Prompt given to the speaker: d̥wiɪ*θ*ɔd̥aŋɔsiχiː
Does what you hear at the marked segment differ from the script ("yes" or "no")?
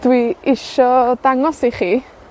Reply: yes